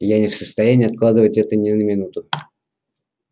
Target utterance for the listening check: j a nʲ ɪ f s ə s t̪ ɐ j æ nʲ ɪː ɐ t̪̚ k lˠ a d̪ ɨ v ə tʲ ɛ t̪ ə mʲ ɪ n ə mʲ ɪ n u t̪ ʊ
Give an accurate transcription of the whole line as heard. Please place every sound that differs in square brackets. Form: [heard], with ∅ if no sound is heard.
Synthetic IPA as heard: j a nʲ ɪ f s ə s t̪ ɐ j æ nʲ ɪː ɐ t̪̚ k lˠ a d̪ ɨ v ə tʲ ɛ t̪ ə [nʲ] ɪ n ə mʲ ɪ n u t̪ ʊ